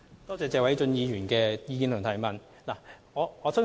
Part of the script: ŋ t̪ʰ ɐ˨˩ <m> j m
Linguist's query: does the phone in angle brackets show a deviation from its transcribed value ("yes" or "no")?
yes